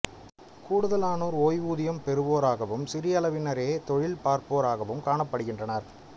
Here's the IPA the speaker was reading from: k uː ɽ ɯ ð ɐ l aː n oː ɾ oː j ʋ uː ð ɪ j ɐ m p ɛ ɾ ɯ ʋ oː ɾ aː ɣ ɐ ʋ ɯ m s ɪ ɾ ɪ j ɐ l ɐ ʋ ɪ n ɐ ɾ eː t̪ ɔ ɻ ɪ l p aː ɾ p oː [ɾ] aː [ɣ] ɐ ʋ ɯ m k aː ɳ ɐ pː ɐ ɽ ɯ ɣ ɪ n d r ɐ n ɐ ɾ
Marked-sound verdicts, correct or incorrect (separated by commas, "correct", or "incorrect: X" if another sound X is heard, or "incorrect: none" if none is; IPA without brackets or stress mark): correct, correct